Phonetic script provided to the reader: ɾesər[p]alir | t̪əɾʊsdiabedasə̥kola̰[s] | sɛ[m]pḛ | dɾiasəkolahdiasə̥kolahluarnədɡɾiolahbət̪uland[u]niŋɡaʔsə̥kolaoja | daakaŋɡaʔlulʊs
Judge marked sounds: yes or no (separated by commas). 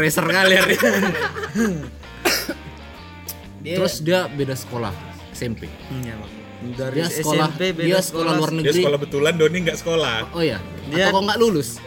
no, no, yes, no